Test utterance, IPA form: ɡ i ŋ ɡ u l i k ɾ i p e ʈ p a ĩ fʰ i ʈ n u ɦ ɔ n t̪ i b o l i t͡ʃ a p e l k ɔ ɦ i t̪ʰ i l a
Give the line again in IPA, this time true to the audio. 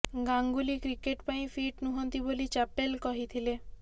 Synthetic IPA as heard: ɡ a ŋ ɡ u l i k ɾ i k e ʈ p a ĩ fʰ i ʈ n u ɦ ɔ n t̪ i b o l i t͡ʃ a p e l k ɔ ɦ i t̪ʰ i l e

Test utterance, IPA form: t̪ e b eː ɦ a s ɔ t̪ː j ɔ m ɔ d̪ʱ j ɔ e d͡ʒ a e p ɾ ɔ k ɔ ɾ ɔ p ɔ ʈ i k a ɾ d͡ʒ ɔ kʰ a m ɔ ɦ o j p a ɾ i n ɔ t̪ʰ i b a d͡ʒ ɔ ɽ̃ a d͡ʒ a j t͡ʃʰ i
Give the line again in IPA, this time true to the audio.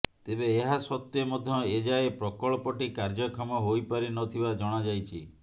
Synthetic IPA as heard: t̪ e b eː ɦ a s ɔ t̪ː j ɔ m ɔ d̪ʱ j ɔ e d͡ʒ a e p ɾ ɔ k ɔ ɭ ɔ p ɔ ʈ i k a ɾ d͡ʒ ɔ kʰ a m ɔ ɦ o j p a ɾ i n ɔ t̪ʰ i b a d͡ʒ ɔ ɽ̃ a d͡ʒ a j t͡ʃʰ i

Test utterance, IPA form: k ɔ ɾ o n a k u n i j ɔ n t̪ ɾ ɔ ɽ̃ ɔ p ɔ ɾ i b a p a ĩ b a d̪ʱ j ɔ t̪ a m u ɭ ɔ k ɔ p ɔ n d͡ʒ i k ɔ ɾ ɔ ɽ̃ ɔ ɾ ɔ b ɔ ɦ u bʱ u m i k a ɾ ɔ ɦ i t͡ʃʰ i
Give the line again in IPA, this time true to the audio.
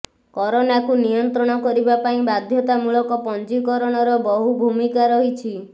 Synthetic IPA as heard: k ɔ ɾ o n a k u n i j ɔ n t̪ ɾ ɔ ɽ̃ ɔ k ɔ ɾ i b a p a ĩ b a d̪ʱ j ɔ t̪ a m u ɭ ɔ k ɔ p ɔ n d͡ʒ i k ɔ ɾ ɔ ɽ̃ ɔ ɾ ɔ b ɔ ɦ u bʱ u m i k a ɾ ɔ ɦ i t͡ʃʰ i

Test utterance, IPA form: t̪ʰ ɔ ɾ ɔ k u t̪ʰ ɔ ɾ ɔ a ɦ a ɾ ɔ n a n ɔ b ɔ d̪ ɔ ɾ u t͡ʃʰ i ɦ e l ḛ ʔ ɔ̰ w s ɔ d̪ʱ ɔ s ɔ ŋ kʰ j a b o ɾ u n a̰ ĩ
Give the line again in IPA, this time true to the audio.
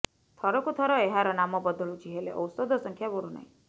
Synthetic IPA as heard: t̪ʰ ɔ ɾ ɔ k u t̪ʰ ɔ ɾ ɔ e ɦ a ɾ ɔ n a m ɔ b ɔ d̪ ɔ ɭ u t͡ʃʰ i ɦ e l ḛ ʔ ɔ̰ w s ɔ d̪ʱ ɔ s ɔ ŋ kʰ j a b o ɾ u n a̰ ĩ

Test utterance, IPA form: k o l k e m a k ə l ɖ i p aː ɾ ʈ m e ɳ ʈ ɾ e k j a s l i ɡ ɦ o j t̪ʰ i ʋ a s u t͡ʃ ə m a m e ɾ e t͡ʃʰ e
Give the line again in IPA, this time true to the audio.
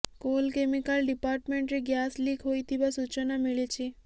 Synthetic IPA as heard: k o l k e m i k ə l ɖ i p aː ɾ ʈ m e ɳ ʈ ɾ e ɡ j a s l i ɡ ɦ o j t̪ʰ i ʋ a s u t͡ʃ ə n a m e ɭ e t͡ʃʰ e

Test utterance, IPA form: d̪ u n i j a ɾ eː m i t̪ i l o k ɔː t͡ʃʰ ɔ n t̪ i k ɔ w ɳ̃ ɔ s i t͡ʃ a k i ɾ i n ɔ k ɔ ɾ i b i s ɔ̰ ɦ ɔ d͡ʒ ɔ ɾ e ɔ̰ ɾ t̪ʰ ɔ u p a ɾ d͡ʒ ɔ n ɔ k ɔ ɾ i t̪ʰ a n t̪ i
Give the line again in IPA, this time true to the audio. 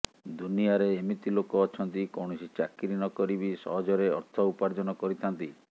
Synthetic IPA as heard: d̪ u n i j a ɾ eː m i t̪ i l o k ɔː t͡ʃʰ ɔ n t̪ i k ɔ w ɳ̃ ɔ s i t͡ʃ a k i ɾ i n ɔ k ɔ ɾ i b i s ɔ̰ ɦ ɔ d͡ʒ ɔ ɾ e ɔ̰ ɾ t̪ʰ ɔ u p a ɾ d͡ʒ ɔ n ɔ k ɔ ɾ i t̪ʰ a n t̪ i

